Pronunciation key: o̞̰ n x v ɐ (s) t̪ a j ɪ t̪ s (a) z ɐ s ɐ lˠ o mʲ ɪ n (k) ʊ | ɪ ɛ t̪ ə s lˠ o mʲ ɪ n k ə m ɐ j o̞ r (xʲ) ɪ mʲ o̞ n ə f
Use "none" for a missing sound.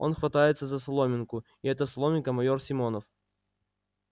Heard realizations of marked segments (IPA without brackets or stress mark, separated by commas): none, ə, k, sʲ